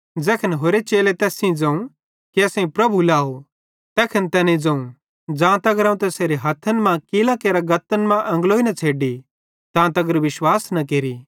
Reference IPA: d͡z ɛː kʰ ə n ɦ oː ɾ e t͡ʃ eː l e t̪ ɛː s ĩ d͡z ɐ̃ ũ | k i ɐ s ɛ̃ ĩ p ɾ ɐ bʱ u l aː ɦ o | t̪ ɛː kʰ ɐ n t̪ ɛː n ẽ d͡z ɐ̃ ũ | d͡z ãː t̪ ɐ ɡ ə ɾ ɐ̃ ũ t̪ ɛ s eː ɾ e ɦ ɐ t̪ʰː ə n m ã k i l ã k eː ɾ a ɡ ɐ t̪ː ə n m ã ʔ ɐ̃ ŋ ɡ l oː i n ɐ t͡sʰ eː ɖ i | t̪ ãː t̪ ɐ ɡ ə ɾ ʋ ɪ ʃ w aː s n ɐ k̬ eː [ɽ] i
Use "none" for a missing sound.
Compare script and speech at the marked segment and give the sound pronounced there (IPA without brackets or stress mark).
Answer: ɾ